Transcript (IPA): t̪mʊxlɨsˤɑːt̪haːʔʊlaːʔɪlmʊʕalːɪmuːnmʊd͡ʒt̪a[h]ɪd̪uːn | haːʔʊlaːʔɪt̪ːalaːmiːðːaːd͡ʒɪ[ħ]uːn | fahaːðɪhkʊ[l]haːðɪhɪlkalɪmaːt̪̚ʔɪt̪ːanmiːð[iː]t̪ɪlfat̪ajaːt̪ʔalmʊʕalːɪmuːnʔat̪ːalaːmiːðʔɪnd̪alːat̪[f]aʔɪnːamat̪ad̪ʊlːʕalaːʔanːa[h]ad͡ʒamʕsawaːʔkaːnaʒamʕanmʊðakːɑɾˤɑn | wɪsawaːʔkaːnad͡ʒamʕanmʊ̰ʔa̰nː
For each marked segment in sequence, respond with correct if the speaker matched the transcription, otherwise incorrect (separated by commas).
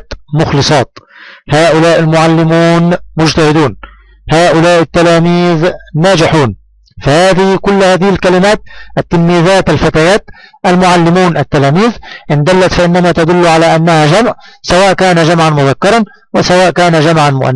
correct, correct, incorrect, incorrect, correct, correct